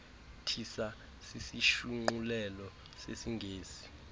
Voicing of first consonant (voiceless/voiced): voiceless